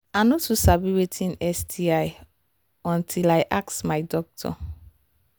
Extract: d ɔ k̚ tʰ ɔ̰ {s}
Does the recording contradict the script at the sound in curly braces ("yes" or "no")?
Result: yes